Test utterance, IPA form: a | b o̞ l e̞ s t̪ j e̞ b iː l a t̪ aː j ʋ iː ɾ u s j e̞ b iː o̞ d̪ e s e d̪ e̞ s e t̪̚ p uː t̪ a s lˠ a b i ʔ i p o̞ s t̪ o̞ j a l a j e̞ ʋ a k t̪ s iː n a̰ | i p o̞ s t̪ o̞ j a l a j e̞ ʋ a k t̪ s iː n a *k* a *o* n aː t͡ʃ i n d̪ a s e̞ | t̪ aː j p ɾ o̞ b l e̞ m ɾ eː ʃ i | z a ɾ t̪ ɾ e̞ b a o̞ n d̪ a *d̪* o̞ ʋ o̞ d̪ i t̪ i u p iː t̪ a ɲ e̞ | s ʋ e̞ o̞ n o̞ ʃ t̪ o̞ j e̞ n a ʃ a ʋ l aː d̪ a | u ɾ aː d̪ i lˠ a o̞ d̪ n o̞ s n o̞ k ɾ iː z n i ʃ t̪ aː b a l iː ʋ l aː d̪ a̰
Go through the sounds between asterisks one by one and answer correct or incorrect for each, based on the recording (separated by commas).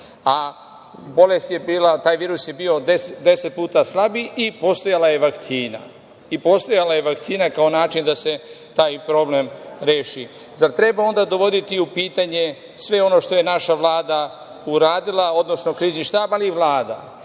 correct, correct, correct